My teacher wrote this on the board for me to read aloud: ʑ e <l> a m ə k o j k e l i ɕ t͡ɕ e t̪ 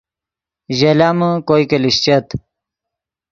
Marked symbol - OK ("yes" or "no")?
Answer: yes